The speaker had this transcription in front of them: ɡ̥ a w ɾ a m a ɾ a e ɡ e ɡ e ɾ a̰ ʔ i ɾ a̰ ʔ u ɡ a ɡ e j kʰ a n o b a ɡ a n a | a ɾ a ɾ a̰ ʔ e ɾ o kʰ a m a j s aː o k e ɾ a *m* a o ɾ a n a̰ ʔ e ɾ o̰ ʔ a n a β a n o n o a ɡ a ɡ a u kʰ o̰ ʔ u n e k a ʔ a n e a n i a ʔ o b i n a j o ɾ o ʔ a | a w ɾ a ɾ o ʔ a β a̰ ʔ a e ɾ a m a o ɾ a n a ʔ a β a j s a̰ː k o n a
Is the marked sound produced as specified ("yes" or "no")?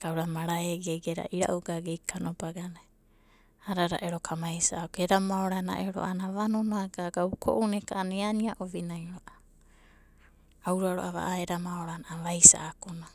yes